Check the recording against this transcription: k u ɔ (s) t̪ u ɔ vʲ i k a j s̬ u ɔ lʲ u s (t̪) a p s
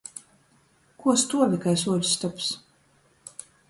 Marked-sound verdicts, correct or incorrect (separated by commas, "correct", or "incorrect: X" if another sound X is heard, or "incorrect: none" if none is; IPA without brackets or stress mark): correct, correct